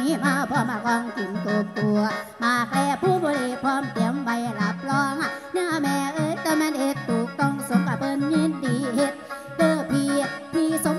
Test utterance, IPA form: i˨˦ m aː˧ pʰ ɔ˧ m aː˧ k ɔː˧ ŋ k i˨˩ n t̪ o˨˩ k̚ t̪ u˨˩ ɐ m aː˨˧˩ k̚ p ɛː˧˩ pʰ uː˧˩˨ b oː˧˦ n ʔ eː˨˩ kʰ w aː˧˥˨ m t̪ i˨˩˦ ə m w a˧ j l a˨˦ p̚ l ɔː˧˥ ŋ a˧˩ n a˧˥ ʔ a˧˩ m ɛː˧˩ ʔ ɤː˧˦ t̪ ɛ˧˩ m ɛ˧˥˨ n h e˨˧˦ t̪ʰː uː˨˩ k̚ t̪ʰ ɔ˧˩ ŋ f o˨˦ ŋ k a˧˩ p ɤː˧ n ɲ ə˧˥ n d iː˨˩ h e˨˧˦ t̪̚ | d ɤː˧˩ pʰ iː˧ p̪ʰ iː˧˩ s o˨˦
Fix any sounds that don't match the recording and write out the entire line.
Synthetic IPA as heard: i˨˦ m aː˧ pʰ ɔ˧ m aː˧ k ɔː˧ ŋ k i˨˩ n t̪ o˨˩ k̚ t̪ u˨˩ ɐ m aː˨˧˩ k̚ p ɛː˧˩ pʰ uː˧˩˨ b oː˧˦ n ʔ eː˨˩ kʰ w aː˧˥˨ m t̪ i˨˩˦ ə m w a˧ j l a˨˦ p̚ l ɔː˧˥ ŋ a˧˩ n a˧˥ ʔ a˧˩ m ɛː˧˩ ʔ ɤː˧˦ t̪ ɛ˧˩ m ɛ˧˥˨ n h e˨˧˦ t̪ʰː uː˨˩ k̚ t̪ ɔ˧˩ ŋ s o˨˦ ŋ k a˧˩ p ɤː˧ n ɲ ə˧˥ n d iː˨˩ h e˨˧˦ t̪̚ | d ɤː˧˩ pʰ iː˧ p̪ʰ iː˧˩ s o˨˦